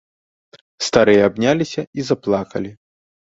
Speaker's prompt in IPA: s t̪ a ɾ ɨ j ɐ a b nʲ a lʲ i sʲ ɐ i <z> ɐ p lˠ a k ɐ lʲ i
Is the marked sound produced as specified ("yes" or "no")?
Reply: yes